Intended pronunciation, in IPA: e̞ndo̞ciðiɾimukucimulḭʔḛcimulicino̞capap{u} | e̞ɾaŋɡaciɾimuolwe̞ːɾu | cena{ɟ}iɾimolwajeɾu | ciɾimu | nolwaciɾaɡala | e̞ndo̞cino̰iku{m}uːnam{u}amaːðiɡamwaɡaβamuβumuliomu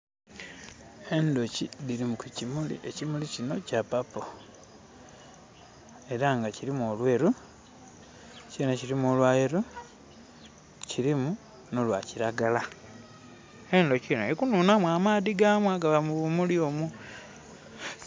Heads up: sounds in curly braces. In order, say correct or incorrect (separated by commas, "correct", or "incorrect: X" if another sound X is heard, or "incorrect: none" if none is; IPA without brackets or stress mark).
incorrect: o, incorrect: c, incorrect: n, incorrect: w